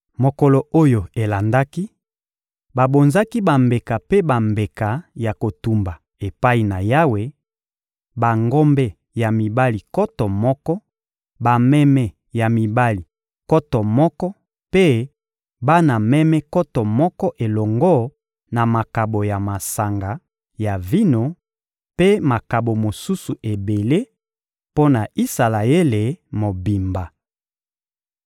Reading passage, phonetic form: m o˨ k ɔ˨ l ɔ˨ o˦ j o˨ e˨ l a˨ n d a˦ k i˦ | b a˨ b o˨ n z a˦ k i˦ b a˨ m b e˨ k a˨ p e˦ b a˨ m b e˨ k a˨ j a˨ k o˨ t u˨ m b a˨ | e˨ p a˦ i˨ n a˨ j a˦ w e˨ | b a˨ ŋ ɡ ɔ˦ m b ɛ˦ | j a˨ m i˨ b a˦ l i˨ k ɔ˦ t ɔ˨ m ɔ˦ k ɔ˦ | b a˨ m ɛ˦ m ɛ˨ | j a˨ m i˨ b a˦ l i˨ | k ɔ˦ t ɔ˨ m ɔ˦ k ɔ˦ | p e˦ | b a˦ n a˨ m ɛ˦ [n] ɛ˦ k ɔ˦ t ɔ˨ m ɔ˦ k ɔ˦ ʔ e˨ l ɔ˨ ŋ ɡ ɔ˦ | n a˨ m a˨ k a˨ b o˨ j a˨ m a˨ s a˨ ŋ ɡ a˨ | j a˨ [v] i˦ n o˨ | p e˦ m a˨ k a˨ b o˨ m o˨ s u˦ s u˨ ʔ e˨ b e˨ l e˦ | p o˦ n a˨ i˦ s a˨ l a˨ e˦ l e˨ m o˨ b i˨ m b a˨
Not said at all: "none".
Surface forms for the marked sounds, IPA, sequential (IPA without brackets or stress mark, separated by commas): m, v